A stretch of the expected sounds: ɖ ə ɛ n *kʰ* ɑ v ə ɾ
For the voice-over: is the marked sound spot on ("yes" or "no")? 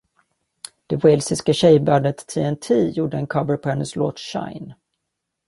yes